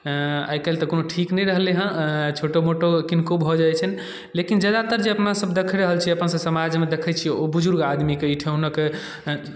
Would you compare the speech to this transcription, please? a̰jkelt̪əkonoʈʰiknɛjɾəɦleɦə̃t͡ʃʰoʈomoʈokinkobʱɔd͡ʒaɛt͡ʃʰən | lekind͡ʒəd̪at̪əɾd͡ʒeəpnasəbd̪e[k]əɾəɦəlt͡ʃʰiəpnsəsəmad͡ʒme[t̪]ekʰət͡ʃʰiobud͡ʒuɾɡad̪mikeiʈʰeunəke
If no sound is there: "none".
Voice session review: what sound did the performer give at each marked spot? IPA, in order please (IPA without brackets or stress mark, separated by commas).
kʰ, d̪